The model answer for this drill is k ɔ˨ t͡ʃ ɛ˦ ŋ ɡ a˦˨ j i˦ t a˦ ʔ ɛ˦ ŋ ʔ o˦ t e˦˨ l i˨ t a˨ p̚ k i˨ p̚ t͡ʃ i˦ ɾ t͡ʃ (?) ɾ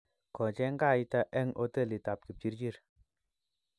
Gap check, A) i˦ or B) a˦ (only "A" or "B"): A